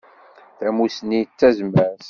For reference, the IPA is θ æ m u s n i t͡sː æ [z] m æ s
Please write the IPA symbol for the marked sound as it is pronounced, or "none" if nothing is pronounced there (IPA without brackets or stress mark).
z